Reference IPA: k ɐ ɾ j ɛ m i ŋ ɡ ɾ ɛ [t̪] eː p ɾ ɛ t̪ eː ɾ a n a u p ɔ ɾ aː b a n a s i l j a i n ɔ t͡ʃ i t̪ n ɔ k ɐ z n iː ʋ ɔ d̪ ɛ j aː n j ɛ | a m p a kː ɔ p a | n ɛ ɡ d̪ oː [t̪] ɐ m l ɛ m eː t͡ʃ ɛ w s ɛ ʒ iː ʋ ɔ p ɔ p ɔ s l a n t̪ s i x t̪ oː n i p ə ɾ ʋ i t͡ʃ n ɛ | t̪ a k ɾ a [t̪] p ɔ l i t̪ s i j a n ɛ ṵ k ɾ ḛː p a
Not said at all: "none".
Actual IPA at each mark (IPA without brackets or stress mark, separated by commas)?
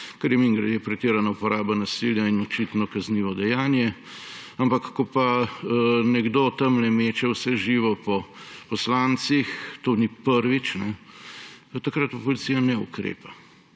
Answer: d̪, t̪, t̪